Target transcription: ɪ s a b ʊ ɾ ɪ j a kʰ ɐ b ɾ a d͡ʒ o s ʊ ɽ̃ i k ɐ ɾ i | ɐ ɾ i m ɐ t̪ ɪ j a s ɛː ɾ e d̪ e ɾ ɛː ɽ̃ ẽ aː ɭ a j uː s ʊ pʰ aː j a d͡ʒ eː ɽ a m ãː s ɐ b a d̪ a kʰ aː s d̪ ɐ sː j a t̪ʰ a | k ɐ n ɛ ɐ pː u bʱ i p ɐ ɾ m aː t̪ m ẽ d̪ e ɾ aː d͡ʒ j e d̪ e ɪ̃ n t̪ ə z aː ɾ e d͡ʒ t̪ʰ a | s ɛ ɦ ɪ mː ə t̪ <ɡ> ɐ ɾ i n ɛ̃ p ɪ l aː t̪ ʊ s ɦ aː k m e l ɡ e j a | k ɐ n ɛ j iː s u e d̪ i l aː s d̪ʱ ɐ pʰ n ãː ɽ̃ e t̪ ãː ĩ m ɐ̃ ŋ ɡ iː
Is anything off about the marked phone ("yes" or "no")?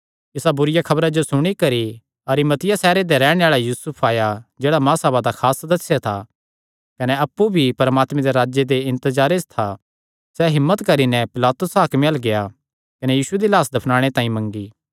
yes